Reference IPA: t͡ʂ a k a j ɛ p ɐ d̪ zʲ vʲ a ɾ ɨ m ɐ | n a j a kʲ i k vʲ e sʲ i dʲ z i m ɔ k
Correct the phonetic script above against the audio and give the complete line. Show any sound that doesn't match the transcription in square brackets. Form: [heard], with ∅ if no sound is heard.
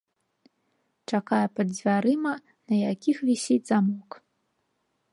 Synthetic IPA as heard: t͡ʂ a k a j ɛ p ɐ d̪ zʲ vʲ a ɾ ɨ m ɐ | n [ɐ] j a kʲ i [x] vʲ [i] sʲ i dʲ z [a] m ɔ k